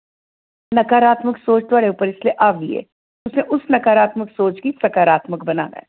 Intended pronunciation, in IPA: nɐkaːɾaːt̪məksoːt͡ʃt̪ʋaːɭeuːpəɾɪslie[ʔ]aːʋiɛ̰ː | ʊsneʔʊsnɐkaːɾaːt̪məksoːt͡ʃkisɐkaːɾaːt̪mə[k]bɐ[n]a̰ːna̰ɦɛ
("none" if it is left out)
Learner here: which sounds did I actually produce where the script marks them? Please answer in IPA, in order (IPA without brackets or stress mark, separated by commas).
ʔ, k, n